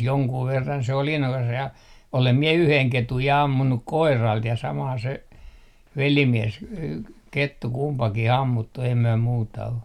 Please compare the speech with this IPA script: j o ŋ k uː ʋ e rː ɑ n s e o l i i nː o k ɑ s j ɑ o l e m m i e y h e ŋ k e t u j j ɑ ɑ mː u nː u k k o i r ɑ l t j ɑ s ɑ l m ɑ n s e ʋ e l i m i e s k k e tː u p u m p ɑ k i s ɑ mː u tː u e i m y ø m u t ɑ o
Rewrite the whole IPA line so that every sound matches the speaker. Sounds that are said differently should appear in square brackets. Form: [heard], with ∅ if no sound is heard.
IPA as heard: j o ŋ k uː ʋ e rː ɑ n s e o l i i nː o k ɑ s j ɑ o l e m m i e y h e ŋ k e t u j j ɑ ɑ mː u nː u k k o i r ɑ l t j ɑ s ɑ [∅] m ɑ n s e ʋ e l i m i e s k k e tː u [k] u m p ɑ k i [h] ɑ mː u tː u e i m y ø m [uː] t ɑ o